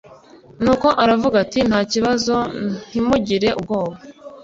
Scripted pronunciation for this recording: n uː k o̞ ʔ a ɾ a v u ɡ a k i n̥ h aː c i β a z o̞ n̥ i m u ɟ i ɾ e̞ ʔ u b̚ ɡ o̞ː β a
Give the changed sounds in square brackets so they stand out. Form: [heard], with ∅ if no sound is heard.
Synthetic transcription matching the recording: n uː k o̞ ʔ a ɾ a v u ɡ a [t] i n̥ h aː c i β a z o̞ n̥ i m u ɟ i ɾ e̞ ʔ u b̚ ɡ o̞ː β a